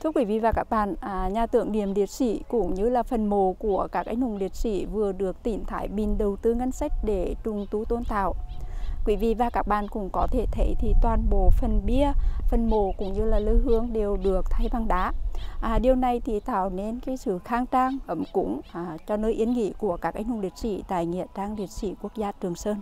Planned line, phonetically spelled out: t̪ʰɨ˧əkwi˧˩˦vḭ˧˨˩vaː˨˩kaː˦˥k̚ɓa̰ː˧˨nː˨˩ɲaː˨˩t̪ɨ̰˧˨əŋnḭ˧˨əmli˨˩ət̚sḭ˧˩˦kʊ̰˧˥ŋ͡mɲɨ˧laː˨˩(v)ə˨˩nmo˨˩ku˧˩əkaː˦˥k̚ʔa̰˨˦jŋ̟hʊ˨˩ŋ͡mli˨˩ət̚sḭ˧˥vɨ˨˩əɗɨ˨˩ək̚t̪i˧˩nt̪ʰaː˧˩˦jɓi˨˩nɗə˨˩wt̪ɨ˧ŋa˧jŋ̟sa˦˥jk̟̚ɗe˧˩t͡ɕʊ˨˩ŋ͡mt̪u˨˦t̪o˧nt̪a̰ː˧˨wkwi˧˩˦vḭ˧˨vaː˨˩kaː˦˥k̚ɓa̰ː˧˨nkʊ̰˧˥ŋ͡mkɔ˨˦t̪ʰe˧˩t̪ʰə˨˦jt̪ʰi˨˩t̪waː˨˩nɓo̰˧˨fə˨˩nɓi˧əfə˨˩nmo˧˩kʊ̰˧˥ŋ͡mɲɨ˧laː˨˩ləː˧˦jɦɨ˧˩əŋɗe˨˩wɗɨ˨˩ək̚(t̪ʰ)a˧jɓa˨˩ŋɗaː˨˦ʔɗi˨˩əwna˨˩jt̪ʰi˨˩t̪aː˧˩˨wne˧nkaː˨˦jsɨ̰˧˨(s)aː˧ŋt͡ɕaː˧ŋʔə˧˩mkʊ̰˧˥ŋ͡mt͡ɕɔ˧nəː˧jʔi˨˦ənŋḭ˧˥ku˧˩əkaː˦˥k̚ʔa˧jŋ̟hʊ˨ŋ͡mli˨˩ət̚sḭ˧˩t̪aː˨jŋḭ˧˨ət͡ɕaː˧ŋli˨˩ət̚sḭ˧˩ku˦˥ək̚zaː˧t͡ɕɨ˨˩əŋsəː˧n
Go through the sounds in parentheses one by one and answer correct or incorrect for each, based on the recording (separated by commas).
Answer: incorrect, correct, incorrect